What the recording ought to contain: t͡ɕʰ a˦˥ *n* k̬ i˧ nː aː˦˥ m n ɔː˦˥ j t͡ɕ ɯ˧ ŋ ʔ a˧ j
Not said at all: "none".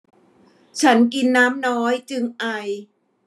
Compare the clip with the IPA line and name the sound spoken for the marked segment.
n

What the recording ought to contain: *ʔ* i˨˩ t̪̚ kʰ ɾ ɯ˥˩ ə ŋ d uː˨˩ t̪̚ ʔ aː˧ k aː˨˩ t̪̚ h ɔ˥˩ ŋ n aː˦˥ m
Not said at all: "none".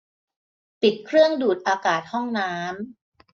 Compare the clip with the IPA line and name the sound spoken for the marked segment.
p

